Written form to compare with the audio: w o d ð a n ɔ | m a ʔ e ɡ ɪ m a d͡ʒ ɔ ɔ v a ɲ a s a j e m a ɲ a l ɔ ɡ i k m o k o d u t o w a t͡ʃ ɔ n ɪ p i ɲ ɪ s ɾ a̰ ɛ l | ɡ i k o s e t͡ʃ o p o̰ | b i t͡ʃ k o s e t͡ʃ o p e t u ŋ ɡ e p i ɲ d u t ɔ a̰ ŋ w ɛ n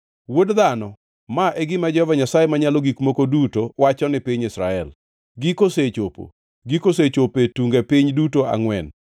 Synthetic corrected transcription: w o d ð a n ɔ | m a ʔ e ɡ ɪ m a d͡ʒ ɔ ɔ v a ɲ a s a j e m a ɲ a l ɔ ɡ i k m o k o d u t o w a t͡ʃ ɔ n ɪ p i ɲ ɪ s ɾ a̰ ɛ l | ɡ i k o s e t͡ʃ o p o̰ | ɡ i k o s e t͡ʃ o p e t u ŋ ɡ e p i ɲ d u t o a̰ ŋ w ɛ n